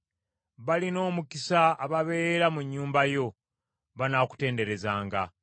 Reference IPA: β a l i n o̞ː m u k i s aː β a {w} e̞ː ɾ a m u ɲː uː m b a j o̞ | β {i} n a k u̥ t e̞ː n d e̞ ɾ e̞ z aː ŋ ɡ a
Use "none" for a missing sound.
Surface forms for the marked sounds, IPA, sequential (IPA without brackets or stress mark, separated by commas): β, a